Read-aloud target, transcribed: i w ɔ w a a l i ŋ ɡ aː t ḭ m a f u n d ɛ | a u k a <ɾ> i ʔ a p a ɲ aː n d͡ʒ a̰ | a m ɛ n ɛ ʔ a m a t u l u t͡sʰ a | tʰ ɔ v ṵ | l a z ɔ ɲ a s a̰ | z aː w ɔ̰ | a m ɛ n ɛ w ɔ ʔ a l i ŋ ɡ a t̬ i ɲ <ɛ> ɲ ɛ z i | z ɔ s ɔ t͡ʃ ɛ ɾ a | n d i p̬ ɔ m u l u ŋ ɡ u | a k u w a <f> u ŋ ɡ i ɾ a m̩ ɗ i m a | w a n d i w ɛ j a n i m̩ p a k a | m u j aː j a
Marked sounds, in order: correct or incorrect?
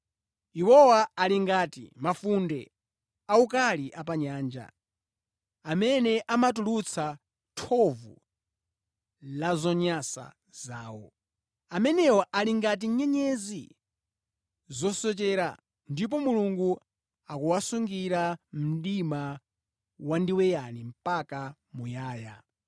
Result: incorrect, correct, incorrect

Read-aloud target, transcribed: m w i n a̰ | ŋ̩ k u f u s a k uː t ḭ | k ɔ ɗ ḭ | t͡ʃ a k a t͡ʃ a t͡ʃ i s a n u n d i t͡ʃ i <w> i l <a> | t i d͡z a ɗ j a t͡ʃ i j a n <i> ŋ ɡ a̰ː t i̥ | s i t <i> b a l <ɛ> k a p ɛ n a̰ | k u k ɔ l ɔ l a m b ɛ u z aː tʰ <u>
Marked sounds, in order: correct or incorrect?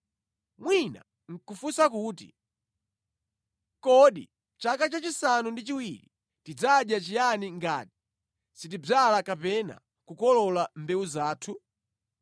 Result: correct, incorrect, correct, correct, incorrect, correct

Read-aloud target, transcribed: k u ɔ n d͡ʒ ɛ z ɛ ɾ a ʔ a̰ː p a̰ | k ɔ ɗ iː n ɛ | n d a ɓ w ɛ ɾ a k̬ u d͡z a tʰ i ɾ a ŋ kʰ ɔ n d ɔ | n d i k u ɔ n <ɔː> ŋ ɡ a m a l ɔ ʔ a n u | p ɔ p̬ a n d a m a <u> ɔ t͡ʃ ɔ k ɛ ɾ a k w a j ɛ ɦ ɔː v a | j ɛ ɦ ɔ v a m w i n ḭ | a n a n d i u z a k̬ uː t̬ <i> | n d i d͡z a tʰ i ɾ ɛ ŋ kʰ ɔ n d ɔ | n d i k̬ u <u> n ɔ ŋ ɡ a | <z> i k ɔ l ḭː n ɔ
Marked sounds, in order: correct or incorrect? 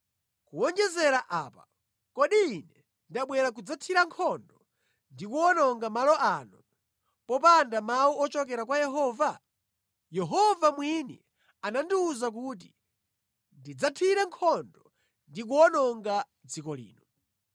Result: incorrect, correct, correct, incorrect, incorrect

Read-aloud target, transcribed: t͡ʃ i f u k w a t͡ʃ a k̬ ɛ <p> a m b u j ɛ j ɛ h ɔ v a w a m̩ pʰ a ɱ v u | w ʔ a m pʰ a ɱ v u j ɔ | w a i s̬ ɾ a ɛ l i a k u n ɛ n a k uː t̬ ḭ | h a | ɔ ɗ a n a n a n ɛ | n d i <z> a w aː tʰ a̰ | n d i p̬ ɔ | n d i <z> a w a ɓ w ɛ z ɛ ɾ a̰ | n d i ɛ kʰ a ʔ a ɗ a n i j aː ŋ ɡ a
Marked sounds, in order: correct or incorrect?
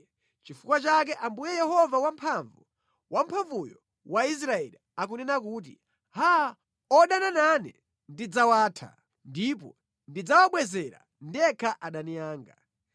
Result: incorrect, incorrect, incorrect

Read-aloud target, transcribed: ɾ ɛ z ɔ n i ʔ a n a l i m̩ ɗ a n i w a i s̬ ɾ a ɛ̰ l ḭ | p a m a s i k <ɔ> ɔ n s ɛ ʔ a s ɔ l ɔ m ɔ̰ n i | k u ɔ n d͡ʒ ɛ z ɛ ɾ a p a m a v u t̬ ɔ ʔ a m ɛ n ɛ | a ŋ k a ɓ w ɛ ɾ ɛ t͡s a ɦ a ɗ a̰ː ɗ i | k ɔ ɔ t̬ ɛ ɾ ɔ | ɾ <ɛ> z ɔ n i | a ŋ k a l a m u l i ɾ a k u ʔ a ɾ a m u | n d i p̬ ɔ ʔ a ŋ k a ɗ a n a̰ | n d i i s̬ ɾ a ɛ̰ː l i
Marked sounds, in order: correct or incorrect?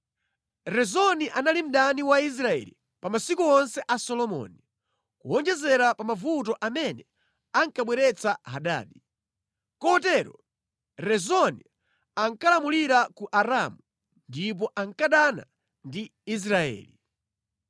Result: incorrect, correct

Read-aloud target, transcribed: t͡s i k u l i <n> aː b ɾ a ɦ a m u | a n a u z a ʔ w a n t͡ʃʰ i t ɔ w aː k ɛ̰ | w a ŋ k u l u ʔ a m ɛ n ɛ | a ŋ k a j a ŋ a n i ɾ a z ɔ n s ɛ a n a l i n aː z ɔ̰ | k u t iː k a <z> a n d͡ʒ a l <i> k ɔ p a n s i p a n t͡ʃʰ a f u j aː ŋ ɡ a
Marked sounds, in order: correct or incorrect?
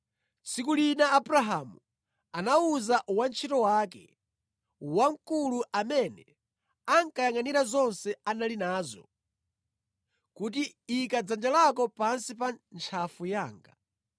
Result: correct, incorrect, incorrect

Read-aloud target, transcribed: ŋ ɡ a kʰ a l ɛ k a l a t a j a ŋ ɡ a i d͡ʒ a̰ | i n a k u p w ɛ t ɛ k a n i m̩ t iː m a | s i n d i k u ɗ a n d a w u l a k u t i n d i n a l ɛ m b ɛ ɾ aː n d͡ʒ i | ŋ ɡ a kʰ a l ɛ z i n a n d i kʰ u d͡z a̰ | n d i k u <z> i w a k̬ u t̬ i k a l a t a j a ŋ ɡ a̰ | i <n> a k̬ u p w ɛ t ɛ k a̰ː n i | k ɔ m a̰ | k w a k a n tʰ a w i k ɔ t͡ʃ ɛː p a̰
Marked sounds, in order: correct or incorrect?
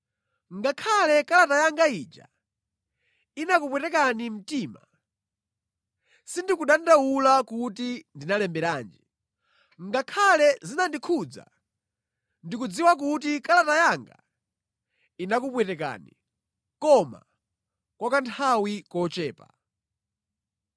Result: incorrect, correct

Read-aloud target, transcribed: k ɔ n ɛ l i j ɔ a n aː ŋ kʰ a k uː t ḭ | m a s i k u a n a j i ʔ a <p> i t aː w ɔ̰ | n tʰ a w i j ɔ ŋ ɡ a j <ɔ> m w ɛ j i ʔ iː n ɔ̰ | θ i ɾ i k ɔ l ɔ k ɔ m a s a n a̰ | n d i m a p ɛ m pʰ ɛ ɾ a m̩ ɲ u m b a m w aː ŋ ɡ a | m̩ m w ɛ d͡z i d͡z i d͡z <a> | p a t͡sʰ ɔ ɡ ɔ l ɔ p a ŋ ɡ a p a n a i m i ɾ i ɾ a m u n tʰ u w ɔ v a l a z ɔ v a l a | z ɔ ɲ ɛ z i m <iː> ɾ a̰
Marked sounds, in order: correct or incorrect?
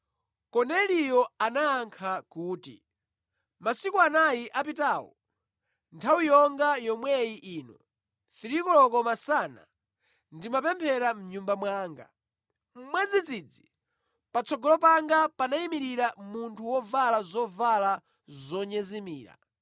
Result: correct, correct, incorrect, correct

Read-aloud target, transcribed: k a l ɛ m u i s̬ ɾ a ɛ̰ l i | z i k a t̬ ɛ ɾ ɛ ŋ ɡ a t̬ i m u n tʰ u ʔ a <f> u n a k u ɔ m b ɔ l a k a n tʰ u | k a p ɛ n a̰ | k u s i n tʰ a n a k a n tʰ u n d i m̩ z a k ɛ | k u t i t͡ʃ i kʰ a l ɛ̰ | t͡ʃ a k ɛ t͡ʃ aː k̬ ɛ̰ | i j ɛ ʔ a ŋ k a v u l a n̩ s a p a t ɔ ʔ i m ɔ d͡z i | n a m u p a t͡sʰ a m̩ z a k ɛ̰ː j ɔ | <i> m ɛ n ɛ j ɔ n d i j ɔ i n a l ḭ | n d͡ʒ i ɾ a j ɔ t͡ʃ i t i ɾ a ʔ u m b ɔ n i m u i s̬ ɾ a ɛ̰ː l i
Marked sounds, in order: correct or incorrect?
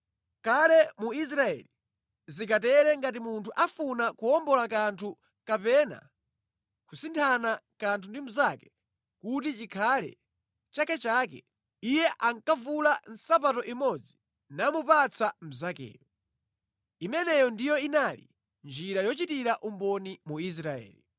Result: correct, correct

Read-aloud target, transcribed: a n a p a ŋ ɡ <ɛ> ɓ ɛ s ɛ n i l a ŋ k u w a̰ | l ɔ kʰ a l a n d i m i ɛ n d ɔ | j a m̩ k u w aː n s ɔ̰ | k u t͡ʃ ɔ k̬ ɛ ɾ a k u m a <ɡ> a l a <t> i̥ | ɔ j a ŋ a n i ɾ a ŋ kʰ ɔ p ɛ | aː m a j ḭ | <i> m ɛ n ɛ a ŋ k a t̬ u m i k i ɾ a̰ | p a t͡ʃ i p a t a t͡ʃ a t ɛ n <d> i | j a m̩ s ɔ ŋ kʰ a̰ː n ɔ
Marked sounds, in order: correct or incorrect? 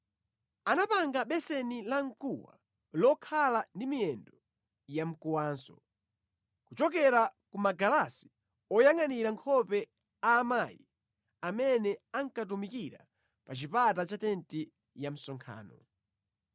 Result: incorrect, correct, incorrect, incorrect, incorrect

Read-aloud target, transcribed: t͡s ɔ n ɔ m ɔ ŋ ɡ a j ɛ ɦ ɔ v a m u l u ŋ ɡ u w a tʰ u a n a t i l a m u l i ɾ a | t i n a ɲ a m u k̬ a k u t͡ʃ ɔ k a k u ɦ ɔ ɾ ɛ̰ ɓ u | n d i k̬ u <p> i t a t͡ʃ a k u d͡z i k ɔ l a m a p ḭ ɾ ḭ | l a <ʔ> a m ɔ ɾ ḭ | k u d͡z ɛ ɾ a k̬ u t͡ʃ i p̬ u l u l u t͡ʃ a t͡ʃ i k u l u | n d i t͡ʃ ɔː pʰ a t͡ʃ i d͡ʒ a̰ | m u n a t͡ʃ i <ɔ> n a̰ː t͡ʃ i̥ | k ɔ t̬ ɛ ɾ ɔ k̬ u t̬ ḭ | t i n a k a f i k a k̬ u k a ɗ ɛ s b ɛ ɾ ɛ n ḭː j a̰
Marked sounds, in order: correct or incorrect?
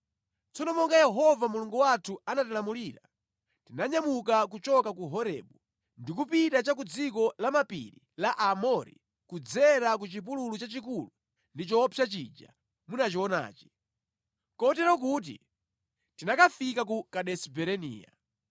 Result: correct, correct, correct

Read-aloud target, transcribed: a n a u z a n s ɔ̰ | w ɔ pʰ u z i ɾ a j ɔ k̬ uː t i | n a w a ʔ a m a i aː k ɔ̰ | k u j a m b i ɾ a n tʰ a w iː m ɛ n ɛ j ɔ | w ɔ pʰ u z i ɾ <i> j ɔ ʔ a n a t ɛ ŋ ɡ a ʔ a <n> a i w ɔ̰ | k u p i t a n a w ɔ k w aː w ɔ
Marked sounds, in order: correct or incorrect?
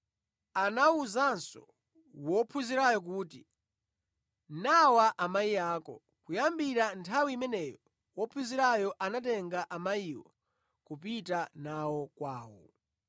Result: incorrect, incorrect

